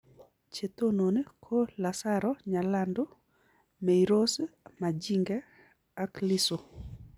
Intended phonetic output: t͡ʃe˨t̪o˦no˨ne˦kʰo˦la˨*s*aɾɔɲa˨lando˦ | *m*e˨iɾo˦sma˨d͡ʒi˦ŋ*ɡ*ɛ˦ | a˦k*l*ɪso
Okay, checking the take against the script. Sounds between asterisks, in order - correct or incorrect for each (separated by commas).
correct, correct, correct, correct